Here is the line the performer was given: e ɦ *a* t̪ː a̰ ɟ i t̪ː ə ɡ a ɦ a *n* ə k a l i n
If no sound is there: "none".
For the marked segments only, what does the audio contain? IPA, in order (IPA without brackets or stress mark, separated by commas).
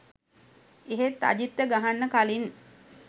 e, nː